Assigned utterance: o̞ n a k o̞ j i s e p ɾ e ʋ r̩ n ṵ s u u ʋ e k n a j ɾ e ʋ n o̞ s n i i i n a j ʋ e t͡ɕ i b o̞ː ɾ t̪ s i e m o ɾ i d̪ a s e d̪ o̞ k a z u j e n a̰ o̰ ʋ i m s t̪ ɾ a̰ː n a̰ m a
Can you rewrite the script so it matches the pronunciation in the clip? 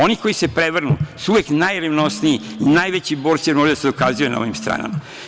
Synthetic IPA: o̞ n i k o̞ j i s e p ɾ e ʋ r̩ n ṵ s u u ʋ e k n a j ɾ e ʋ n o̞ s n i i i n a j ʋ e t͡ɕ i b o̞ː ɾ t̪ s i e m o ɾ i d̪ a s e d̪ o̞ k a z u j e n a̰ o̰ ʋ i m s t̪ ɾ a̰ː n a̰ m a